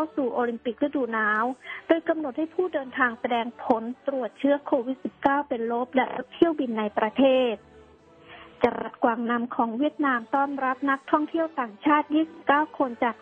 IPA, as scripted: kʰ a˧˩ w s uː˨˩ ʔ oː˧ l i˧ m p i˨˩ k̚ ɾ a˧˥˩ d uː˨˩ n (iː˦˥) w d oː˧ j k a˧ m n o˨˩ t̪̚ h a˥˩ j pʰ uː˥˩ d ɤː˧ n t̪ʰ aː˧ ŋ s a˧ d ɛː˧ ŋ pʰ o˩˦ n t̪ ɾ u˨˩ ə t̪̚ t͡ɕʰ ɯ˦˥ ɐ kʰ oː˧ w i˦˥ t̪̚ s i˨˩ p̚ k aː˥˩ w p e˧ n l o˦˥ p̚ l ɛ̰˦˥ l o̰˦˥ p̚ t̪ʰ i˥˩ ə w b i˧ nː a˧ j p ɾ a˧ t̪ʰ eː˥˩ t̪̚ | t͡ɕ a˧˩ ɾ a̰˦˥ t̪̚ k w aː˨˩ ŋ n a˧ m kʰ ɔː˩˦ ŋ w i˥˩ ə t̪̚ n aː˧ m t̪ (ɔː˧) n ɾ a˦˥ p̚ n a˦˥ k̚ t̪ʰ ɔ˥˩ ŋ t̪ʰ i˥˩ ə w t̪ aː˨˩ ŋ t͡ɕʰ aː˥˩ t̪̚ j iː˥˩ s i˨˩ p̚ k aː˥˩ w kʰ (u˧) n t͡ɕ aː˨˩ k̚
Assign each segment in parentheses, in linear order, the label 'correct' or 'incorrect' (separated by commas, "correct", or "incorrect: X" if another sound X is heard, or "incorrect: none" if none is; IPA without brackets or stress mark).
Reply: incorrect: aː˦˥, incorrect: ɔː˥˩, incorrect: o˧